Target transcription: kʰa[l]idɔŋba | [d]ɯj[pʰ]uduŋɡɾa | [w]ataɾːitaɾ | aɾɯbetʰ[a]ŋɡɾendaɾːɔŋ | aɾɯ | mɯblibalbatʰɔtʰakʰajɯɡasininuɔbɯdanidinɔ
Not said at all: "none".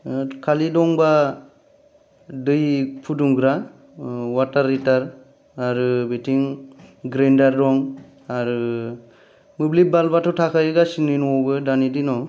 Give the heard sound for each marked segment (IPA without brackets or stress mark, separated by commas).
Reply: l, d, pʰ, w, i